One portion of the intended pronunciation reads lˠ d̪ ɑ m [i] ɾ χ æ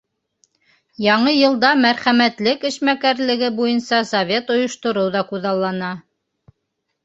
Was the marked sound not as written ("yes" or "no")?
yes